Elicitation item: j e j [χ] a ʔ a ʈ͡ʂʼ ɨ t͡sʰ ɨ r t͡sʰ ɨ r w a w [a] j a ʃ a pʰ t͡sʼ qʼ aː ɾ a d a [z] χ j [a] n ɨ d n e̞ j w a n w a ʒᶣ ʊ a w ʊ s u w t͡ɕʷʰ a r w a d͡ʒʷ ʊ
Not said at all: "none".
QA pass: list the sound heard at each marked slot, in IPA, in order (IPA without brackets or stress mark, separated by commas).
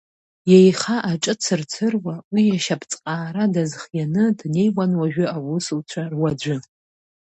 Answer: χ, i, z, a